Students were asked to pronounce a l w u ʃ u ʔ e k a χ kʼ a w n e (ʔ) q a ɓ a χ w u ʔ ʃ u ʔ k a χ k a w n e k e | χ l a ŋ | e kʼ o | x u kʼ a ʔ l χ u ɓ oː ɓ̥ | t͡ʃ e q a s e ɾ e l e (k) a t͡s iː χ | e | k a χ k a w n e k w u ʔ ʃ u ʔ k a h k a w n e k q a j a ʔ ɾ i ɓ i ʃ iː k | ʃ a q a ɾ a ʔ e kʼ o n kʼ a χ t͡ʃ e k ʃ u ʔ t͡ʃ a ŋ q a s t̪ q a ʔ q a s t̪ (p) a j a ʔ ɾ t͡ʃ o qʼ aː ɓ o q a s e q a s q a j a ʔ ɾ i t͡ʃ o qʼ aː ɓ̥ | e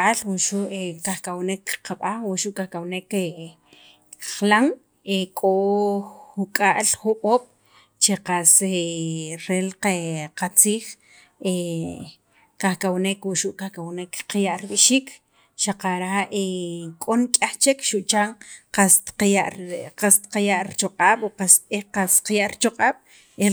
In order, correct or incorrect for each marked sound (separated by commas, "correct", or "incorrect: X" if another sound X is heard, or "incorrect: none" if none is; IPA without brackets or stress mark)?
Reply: incorrect: k, incorrect: q, incorrect: q